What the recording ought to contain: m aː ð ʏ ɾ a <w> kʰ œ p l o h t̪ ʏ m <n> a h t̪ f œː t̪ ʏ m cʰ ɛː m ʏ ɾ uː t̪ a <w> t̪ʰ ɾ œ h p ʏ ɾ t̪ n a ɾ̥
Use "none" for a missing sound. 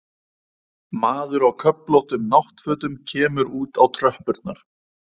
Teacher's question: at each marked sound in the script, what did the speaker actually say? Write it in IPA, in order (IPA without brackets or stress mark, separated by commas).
w, n, w